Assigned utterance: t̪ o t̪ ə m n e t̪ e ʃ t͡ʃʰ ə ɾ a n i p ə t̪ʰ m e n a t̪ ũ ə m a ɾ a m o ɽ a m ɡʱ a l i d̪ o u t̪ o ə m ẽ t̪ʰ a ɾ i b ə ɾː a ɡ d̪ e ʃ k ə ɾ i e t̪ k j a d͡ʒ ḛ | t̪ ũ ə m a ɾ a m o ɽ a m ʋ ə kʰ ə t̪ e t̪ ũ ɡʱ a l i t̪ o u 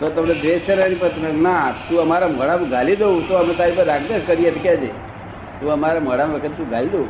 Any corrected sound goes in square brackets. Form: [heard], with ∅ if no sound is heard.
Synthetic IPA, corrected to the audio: t̪ o t̪ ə m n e [d̪] e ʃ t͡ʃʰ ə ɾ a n i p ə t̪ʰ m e n a t̪ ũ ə m a ɾ a m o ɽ a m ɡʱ a l i d̪ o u t̪ o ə m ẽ [t̪] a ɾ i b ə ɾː a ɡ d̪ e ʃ k ə ɾ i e t̪ k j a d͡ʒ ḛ | t̪ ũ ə m a ɾ a m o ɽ a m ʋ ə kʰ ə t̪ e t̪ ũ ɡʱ a l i [d̪] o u